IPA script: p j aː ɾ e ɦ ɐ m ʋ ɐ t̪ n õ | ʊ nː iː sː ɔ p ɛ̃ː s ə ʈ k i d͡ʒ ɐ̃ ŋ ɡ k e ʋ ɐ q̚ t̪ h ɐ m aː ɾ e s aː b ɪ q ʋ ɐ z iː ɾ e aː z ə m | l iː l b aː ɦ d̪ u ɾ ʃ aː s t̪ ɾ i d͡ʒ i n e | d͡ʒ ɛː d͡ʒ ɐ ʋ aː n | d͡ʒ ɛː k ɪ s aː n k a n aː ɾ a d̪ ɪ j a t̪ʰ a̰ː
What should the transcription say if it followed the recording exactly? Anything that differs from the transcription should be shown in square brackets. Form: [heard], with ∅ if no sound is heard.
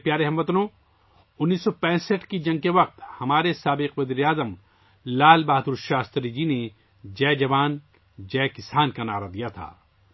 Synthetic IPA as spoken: p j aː ɾ e ɦ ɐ m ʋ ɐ t̪ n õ | ʊ nː iː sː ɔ p ɛ̃ː s ə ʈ k i d͡ʒ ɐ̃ ŋ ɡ k e ʋ ɐ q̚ t̪ h ɐ m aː ɾ e s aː b ɪ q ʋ ɐ z iː ɾ e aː z ə m | l [aː] l b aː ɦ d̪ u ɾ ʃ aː s t̪ ɾ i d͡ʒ i n e | d͡ʒ ɛː d͡ʒ ɐ ʋ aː n | d͡ʒ ɛː k ɪ s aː n k a n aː ɾ a d̪ [i] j a t̪ʰ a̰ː

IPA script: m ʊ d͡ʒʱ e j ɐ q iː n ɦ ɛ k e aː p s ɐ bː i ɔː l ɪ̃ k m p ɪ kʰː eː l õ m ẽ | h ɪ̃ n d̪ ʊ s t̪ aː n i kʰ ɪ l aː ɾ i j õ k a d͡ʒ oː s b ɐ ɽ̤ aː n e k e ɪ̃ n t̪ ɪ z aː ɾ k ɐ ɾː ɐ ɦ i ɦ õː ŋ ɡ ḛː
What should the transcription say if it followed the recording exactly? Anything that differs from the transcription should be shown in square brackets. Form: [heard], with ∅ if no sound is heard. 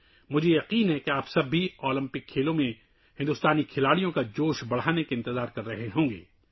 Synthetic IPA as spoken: m ʊ d͡ʒʱ e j ɐ q iː n ɦ ɛ k e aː p s ɐ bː i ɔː l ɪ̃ [∅] m p ɪ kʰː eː l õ m ẽ | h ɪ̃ n d̪ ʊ s t̪ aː n i kʰ ɪ l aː [ɽ] i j õ k a d͡ʒ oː [ʃ] b ɐ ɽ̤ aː n e k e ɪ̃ n t̪ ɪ z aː ɾ k ɐ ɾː ɐ ɦ [e] ɦ õː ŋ ɡ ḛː

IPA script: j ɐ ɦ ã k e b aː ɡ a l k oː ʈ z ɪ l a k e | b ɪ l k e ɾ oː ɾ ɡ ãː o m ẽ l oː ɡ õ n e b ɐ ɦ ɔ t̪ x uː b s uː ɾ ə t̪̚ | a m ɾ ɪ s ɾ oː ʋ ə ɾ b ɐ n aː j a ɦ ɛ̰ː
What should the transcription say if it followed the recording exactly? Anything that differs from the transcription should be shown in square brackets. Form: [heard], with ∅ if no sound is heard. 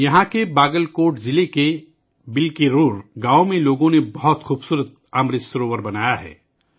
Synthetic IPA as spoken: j ɐ ɦ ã k e b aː ɡ [ə] l k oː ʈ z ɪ l [e] k e | b ɪ l k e ɾ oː ɾ ɡ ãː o m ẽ l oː ɡ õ n e b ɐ ɦ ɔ t̪ x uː b s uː ɾ ə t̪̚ | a m ɾ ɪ s ɾ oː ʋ ə ɾ b ɐ n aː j a ɦ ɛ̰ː

